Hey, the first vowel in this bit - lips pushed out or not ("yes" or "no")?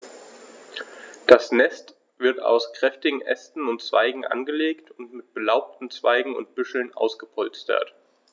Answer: no